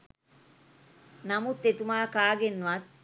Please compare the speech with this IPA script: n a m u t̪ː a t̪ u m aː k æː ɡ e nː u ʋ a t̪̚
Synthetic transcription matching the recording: n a m u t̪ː e t̪ u m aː k aː ɡ e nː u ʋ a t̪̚